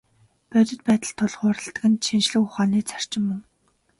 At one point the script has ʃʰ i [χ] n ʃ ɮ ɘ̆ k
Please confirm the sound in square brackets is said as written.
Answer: no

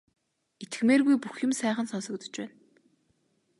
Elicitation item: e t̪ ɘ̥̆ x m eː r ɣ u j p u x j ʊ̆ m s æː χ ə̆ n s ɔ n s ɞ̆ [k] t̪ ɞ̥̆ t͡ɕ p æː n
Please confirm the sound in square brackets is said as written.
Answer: yes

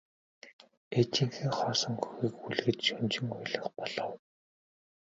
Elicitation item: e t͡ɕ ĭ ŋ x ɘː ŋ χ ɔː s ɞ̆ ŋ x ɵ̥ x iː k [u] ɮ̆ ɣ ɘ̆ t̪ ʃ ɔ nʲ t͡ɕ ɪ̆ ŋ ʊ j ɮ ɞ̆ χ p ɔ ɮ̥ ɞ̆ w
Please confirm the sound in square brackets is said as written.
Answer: yes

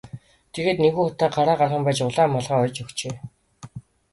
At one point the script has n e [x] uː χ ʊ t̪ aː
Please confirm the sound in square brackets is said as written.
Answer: no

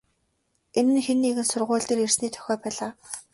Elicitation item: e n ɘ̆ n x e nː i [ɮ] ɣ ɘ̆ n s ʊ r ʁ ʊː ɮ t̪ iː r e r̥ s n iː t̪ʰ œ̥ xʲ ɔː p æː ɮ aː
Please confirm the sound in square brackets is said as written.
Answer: no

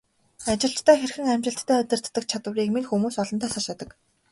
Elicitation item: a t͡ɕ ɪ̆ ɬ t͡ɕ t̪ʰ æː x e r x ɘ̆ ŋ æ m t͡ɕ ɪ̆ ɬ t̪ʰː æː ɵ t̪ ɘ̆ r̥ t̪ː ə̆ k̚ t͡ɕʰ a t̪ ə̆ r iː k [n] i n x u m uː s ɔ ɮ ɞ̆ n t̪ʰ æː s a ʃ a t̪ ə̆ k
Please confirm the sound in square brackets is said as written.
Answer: no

